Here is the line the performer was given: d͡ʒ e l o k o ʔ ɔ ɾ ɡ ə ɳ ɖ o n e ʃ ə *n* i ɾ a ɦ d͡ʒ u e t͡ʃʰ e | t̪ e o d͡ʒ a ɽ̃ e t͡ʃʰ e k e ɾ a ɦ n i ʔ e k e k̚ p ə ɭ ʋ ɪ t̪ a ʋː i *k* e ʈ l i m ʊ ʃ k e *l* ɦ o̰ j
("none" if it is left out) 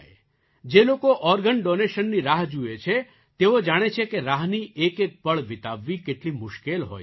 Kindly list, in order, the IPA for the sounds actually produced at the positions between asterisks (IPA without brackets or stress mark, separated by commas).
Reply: nː, k, l